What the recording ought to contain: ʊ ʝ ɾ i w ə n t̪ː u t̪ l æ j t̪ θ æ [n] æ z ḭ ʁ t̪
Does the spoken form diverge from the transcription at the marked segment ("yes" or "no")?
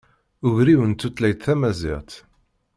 yes